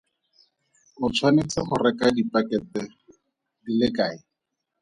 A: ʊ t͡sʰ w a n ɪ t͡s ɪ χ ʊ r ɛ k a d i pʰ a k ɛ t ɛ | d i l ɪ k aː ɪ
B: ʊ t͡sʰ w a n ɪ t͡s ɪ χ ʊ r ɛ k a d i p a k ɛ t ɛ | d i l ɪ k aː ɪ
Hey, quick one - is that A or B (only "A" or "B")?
B